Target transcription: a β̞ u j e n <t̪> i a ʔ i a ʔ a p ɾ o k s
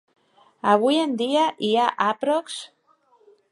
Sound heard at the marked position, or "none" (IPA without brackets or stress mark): d̪